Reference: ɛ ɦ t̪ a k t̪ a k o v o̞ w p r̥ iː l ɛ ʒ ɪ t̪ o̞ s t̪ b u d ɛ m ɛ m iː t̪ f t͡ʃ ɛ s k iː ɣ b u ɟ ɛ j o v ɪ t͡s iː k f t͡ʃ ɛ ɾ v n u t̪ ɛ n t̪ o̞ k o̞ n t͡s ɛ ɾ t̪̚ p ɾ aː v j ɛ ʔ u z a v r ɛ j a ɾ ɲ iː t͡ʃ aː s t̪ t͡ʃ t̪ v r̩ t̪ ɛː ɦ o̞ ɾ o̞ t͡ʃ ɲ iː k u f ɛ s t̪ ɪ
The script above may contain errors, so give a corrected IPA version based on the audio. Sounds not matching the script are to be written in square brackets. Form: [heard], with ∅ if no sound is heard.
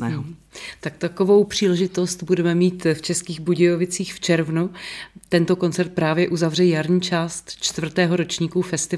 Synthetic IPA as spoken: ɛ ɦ t̪ a k t̪ a k o v o̞ w p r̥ iː l ɛ ʒ ɪ t̪ o̞ s t̪ b u d ɛ m ɛ m iː t̪ f t͡ʃ ɛ s k iː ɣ b u ɟ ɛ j o v ɪ t͡s iː [x] f t͡ʃ ɛ ɾ v n u t̪ ɛ n t̪ o̞ k o̞ n t͡s ɛ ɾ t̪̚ p ɾ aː v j ɛ ʔ u z a v r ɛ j a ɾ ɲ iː t͡ʃ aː s t̪ t͡ʃ t̪ v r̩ t̪ ɛː ɦ o̞ ɾ o̞ t͡ʃ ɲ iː k u f ɛ s t̪ ɪ